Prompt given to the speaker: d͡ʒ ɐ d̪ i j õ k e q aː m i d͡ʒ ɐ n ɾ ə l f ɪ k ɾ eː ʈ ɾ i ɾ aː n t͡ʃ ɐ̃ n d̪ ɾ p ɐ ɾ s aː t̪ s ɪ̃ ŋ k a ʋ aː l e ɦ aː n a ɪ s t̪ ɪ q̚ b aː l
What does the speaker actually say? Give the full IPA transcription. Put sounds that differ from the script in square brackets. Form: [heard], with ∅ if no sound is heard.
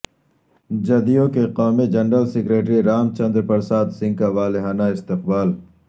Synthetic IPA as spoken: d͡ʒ ɐ d̪ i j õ k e q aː m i d͡ʒ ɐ n ɾ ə l [s] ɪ k ɾ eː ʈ ɾ i ɾ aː [m] t͡ʃ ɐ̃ n d̪ ɾ p ɐ ɾ s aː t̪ s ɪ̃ ŋ k a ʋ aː l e ɦ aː n a ɪ s t̪ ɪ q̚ b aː l